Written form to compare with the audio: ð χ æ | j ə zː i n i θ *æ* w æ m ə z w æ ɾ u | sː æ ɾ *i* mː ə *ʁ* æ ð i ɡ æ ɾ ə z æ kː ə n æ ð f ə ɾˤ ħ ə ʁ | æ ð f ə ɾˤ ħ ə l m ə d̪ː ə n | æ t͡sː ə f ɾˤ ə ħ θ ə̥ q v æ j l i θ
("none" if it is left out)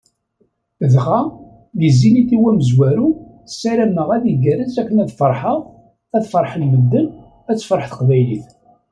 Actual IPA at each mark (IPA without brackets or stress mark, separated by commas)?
i, æ, ʁ